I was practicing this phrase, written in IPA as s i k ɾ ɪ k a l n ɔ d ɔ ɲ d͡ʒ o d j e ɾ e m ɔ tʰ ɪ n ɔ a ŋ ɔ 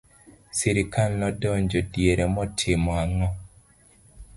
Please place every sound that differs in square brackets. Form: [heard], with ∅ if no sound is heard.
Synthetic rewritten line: s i [∅] ɾ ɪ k a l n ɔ d ɔ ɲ d͡ʒ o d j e ɾ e m ɔ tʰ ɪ [m] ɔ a ŋ ɔ